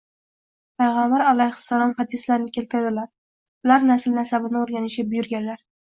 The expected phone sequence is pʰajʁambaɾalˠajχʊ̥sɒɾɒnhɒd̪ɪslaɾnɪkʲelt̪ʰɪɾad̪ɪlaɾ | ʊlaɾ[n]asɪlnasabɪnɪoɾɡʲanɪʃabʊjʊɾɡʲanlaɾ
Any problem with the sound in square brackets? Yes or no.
no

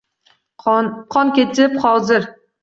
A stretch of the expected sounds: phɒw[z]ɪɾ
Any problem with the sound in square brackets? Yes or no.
no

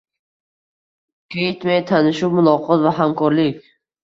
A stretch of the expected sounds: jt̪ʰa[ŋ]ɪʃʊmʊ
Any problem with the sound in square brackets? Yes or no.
yes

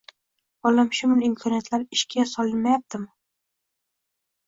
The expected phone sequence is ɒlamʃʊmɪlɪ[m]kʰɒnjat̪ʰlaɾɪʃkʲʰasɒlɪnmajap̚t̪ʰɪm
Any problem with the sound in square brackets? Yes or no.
no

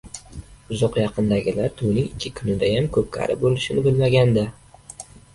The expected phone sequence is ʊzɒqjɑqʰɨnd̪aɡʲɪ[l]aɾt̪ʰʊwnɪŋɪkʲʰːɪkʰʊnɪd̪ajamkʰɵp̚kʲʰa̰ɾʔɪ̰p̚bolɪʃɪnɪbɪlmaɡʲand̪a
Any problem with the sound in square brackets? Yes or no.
no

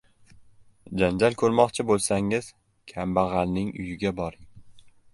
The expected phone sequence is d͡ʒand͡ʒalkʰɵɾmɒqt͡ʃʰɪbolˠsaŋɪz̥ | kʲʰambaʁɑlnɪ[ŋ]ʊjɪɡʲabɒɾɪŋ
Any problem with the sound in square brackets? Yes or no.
no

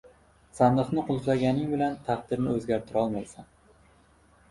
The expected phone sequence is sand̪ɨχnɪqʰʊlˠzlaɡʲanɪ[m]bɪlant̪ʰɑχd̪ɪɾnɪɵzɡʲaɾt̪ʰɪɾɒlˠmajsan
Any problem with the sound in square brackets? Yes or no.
yes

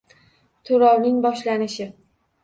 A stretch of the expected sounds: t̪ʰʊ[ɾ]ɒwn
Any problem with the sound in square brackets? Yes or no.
no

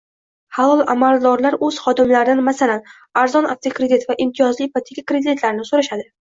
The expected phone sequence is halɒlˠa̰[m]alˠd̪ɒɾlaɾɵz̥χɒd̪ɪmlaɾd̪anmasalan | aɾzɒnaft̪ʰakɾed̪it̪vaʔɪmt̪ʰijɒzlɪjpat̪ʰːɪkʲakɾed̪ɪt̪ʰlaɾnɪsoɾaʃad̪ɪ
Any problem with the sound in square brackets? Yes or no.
no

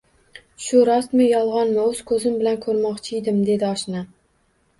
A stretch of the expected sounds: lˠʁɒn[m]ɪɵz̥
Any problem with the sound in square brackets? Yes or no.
no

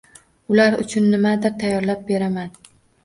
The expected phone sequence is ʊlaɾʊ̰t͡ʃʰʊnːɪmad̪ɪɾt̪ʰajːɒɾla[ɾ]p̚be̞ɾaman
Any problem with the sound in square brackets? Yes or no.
yes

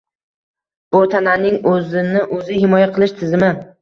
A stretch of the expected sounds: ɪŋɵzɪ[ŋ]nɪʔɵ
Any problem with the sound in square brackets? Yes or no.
yes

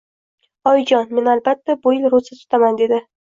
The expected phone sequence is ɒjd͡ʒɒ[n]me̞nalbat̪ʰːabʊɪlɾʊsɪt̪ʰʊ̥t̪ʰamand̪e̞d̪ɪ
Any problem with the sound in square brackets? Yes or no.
no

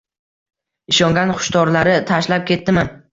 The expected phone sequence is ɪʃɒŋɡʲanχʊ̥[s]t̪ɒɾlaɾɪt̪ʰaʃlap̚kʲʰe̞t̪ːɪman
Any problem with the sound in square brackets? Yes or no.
yes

